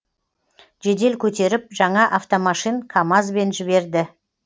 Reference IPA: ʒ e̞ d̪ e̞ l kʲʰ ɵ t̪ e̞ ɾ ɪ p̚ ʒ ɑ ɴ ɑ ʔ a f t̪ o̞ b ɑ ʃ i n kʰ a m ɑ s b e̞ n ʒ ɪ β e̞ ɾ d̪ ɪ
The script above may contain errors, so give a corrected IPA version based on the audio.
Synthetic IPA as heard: ʒ e̞ d̪ e̞ l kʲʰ ɵ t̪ e̞ ɾ ɪ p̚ ʒ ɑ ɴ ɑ ʔ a f t̪ o̞ m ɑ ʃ i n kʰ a m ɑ z b e̞ n ʒ ɪ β e̞ ɾ d̪ ɪ